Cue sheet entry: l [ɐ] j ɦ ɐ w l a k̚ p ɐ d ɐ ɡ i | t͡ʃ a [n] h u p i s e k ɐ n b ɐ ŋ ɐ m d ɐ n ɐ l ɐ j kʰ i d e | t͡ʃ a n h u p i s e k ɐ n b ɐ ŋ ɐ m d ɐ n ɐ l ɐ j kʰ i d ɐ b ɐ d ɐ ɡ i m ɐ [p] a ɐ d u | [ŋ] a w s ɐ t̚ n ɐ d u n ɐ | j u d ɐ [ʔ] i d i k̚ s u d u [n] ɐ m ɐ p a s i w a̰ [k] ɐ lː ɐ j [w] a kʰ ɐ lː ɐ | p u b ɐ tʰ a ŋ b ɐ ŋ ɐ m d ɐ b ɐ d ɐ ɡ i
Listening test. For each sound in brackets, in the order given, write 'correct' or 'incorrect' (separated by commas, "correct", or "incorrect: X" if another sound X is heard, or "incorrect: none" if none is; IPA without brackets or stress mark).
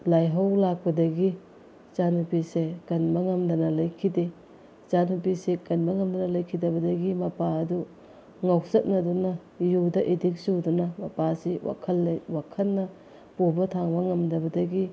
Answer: incorrect: a, correct, correct, correct, correct, correct, incorrect: kʰ, correct